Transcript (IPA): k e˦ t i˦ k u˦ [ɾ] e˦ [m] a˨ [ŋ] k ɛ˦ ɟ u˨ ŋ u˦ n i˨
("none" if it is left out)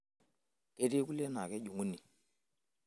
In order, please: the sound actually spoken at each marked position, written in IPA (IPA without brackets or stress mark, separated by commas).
l, n, none